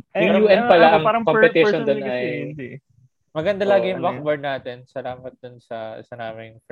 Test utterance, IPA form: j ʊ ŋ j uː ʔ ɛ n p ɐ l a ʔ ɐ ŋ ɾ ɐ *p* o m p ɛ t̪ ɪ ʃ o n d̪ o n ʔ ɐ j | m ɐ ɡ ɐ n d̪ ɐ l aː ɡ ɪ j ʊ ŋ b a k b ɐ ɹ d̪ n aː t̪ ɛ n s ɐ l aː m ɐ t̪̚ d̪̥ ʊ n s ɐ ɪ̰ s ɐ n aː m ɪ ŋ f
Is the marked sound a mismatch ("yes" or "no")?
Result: yes